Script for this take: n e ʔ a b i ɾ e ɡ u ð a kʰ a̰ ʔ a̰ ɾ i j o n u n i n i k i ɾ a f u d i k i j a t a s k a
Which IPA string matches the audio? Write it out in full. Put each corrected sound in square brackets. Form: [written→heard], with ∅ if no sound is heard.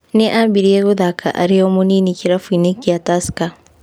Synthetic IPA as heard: n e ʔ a b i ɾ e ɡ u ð a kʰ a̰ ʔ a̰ ɾ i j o [n→m] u n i n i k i ɾ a f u [d→n] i k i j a t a s k a